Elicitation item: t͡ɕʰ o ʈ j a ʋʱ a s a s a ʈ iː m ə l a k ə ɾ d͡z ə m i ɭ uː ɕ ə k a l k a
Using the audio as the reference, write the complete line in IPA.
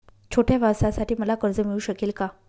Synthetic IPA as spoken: t͡ɕʰ o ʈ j a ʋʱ a s a s a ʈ iː m ə l a k ə ɾ d͡z ə m i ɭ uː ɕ ə k e l k a